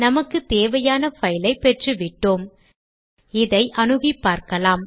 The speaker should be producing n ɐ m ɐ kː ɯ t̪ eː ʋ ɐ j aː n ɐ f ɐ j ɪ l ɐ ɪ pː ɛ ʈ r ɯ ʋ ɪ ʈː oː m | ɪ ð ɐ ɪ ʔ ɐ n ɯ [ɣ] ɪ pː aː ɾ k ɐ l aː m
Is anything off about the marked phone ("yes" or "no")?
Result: no